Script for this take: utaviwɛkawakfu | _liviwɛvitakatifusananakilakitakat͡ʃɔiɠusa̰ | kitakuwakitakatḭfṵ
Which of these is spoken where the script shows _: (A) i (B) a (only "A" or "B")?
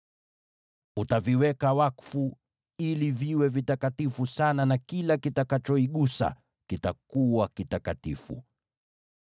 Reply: A